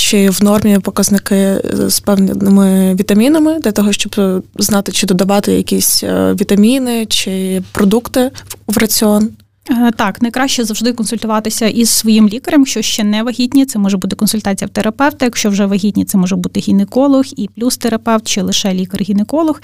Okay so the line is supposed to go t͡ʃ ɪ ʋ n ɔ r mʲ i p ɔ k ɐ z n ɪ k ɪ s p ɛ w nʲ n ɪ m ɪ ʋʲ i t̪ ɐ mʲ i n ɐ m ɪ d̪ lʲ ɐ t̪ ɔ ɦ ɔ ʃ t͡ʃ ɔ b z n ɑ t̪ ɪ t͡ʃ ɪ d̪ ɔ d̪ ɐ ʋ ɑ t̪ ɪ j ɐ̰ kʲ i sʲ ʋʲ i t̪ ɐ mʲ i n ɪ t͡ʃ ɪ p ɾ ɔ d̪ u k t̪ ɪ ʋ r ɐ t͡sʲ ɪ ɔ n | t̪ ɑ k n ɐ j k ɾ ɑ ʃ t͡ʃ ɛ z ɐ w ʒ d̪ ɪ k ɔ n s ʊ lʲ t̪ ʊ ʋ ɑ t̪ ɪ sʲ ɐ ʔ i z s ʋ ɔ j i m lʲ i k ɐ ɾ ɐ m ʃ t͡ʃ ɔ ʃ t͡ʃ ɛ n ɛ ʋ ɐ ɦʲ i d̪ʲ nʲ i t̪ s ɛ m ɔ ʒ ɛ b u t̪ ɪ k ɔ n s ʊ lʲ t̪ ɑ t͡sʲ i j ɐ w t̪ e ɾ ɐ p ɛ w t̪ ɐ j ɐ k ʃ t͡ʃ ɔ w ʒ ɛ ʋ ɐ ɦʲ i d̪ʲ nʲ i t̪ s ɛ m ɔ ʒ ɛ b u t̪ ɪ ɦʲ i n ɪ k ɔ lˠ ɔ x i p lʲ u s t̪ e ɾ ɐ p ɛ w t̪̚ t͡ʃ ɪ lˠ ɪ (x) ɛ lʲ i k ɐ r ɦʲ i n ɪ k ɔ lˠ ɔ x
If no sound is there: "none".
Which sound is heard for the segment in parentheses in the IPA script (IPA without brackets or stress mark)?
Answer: ʃ